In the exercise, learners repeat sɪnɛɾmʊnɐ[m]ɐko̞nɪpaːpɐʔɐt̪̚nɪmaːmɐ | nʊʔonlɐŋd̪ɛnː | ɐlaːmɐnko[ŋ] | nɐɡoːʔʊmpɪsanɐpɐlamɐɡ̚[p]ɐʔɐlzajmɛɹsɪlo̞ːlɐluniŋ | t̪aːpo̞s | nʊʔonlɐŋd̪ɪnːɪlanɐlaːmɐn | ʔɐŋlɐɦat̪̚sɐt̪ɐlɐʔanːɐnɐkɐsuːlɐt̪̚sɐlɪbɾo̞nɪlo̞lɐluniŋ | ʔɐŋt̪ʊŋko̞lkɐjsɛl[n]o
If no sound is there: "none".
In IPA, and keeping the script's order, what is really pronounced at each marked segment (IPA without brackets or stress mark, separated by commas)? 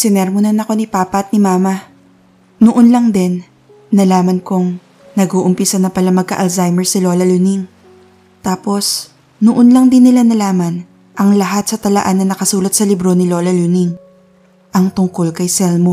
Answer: n, ŋ, k, m